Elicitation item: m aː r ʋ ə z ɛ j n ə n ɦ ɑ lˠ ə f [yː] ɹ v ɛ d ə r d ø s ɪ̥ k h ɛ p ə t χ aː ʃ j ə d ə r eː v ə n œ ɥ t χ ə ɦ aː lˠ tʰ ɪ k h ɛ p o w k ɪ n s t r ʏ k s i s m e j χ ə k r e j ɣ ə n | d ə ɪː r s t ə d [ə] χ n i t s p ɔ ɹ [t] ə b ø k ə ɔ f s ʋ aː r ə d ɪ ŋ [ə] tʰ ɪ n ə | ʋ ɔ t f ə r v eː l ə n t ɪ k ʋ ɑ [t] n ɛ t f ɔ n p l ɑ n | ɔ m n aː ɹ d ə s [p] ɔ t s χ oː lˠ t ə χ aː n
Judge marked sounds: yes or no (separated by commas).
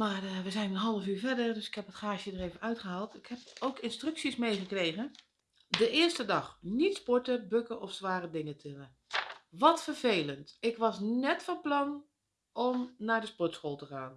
yes, no, yes, yes, no, yes